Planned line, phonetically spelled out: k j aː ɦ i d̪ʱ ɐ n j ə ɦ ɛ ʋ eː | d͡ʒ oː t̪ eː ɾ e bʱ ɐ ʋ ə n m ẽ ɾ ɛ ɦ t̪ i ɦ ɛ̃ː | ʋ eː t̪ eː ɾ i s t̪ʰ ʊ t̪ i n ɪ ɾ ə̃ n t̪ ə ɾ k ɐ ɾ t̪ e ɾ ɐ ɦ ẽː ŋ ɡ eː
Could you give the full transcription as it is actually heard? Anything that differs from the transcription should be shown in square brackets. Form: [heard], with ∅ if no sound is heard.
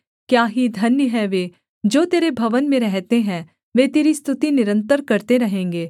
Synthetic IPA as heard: k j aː ɦ i d̪ʱ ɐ n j ə ɦ ɛ ʋ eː | d͡ʒ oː t̪ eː ɾ e bʱ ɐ ʋ ə n m ẽ ɾ ɛ ɦ t̪ [e] ɦ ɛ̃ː | ʋ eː t̪ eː ɾ i s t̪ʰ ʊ t̪ i n ɪ ɾ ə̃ n t̪ ə ɾ k ɐ ɾ t̪ e ɾ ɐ ɦ ẽː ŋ ɡ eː